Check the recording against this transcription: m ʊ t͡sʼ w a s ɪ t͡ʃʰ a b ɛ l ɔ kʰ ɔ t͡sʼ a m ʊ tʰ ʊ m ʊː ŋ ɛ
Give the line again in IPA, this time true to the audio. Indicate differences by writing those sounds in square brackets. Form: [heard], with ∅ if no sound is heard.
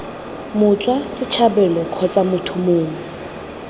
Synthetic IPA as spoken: m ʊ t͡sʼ w a s ɪ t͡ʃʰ a b ɛ l ɔ kʰ ɔ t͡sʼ a m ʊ tʰ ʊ m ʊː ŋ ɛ